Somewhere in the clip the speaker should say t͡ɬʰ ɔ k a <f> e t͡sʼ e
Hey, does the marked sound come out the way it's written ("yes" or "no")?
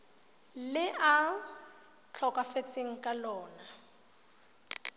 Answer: yes